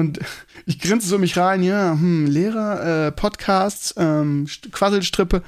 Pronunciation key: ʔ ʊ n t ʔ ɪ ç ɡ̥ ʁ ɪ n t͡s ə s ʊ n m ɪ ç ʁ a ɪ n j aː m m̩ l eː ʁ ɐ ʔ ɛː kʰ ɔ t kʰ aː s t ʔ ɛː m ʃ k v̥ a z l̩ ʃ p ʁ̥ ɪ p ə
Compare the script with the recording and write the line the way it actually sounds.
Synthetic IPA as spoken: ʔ ʊ n t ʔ ɪ ç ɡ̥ ʁ ɪ n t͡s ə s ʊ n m ɪ ç ʁ a ɪ n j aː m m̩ l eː ʁ ɐ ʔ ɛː pʰ ɔ t kʰ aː s t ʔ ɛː m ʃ k v̥ a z l̩ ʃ t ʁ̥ ɪ p ə